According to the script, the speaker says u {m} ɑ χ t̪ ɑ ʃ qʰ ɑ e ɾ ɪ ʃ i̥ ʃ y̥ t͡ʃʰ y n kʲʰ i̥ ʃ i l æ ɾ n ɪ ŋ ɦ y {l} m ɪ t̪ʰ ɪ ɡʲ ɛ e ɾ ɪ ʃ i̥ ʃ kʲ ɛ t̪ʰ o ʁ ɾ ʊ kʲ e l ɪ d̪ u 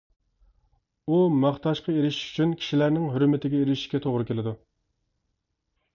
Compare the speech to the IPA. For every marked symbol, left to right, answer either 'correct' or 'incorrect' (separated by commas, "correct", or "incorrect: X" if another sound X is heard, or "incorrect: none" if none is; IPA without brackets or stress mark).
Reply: correct, incorrect: ɾ